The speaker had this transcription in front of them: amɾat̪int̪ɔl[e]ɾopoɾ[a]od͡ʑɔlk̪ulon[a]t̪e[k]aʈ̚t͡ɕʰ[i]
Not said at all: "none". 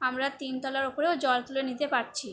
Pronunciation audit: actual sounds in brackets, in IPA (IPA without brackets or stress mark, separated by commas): a, e, i, p, i